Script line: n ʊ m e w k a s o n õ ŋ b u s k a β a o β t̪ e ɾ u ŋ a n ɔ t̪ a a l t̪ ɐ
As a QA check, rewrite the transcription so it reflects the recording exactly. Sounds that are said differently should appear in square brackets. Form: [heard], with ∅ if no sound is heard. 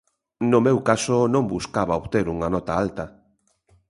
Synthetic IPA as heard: n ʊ m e w k a s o n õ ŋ b u s k a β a o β t̪ e ɾ u ŋ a n ɔ t̪ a a l t̪ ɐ

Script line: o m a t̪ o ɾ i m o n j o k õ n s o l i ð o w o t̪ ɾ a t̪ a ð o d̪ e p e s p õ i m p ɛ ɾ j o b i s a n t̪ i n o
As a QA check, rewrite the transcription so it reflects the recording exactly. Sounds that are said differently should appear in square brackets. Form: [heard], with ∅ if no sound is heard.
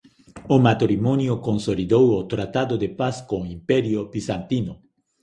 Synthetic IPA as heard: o m a t̪ o ɾ i m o n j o k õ n s o l i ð o w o t̪ ɾ a t̪ a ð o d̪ e p [a] s [k] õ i m p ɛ ɾ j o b i s a n t̪ i n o

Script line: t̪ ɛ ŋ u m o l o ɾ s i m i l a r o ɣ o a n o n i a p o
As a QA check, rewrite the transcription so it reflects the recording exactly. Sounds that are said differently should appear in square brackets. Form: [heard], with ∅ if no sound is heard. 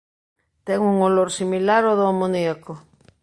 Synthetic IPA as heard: t̪ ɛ ŋ u [ŋ] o l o ɾ s i m i l a [ɾ] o [ð] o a [m] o n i a [k] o

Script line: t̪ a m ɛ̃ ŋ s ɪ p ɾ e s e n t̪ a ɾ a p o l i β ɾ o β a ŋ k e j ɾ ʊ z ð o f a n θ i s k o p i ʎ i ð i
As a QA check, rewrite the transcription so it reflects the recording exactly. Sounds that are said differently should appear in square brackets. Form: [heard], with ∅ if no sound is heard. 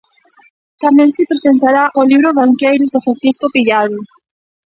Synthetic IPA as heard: t̪ a m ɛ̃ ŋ s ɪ p ɾ e s e n t̪ a ɾ a [ʔ] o l i β ɾ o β a ŋ k e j ɾ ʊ z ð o f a n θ i s k o p i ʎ [a] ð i

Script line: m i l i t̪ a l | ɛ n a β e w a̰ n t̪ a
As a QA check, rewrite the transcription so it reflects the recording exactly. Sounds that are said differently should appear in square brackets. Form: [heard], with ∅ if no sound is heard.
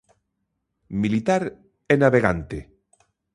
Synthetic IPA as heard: m i l i t̪ a [ɾ] | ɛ n a β e [ɣ] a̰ n t̪ [e]

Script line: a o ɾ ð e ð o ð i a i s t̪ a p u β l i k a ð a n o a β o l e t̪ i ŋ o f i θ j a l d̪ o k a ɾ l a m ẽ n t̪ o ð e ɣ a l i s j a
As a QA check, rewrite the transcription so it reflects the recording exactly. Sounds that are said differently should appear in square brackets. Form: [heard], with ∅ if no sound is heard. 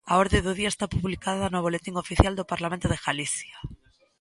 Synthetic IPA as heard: a o ɾ ð e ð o ð i a [e] s t̪ a p u β l i k a ð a n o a β o l e t̪ i ŋ o f i θ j a l d̪ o [p] a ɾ l a m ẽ n t̪ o ð e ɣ a l i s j a

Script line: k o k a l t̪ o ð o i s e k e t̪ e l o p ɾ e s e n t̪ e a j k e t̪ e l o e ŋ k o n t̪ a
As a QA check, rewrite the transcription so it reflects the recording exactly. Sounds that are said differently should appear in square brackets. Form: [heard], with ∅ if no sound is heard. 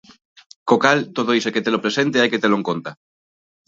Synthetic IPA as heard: k o k a l t̪ o ð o i s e k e t̪ e l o p ɾ e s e n t̪ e a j k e t̪ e l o e ŋ k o n t̪ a

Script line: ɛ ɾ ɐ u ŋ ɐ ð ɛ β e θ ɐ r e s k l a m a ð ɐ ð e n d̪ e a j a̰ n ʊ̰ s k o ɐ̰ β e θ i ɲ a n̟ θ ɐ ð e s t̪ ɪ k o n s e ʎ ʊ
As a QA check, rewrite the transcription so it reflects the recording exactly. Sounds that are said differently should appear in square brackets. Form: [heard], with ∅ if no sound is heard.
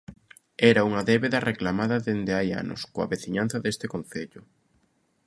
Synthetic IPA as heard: ɛ ɾ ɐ u ŋ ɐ ð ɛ β e [ð] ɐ r e [∅] k l a m a ð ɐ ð e n d̪ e a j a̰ n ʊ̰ s k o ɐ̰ β e θ i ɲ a n̟ θ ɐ ð e s t̪ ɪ k o n [θ] e ʎ ʊ

